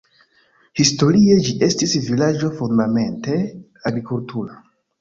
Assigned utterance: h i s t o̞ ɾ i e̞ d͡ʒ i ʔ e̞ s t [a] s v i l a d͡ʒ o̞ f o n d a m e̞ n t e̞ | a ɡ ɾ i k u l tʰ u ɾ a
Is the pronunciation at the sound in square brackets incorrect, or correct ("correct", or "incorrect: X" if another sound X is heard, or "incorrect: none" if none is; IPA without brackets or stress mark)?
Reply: incorrect: i